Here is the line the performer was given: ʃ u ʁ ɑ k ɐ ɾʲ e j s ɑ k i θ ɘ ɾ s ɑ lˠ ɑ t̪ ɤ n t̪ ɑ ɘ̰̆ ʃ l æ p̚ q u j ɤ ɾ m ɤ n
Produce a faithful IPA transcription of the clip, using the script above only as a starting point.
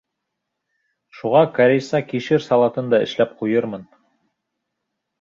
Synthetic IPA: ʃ u ʁ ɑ k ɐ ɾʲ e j s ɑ k i ʃ ɘ ɾ s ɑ lˠ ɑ t̪ ɤ n d̪ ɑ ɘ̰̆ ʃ l æ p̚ q u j ɤ ɾ m ɤ n